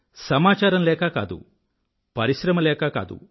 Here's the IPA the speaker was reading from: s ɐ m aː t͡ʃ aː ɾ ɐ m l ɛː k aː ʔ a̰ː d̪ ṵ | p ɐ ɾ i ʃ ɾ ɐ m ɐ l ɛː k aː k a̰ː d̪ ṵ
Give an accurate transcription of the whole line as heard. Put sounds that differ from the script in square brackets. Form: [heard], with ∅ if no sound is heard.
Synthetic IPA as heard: s ɐ m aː t͡ʃ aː ɾ ɐ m l ɛː k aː [k] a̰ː d̪ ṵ | p ɐ ɾ i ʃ ɾ ɐ m ɐ l ɛː k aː k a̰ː d̪ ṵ